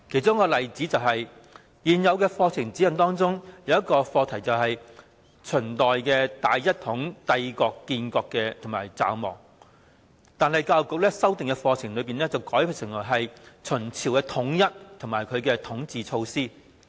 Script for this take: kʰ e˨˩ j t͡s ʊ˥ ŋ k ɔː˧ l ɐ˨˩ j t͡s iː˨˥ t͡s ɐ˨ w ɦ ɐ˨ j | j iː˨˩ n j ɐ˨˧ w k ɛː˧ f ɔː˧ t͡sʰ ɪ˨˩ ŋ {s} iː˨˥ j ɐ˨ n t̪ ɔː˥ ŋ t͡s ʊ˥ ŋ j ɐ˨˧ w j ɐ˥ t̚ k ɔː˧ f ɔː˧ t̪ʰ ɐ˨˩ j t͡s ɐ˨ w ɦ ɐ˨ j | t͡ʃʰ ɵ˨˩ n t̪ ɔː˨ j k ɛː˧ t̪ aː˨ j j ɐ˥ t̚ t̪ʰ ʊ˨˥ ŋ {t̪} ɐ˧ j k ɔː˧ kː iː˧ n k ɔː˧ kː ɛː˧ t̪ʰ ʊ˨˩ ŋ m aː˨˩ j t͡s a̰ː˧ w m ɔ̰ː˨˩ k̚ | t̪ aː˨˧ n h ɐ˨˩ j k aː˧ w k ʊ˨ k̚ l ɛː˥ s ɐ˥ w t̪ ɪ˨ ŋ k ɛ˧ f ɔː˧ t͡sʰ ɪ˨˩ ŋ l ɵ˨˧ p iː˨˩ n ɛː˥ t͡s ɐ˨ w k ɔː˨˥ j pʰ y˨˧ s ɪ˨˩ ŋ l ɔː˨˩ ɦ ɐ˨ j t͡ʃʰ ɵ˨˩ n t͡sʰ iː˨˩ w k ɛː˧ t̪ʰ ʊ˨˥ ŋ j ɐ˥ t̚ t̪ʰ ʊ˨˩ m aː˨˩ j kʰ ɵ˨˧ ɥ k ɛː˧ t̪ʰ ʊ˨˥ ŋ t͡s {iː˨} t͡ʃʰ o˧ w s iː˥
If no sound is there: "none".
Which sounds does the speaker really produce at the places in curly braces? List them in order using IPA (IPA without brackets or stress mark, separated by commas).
t͡s, t̪, iː˨